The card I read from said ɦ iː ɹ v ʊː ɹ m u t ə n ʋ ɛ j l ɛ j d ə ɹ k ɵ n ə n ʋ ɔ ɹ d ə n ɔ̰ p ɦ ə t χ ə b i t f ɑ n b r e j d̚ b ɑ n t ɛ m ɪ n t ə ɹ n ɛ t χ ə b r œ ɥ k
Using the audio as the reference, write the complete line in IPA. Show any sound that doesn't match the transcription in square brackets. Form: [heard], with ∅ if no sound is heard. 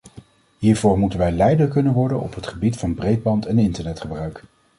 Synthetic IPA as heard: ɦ iː ɹ v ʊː ɹ m u t ə n ʋ ɛ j l ɛ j d ə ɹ k ɵ n ə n ʋ ɔ ɹ d ə n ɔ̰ p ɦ ə t χ ə b i t f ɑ n b r e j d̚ b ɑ n t ɛ [n] ɪ n t ə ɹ n ɛ t χ ə b r œ ɥ k